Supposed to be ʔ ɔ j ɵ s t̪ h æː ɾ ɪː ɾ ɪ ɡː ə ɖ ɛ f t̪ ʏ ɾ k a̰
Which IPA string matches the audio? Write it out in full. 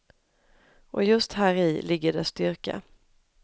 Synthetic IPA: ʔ ɔ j ɵ s t̪ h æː ɾ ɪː l ɪ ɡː ə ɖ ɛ s t̪ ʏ ɾ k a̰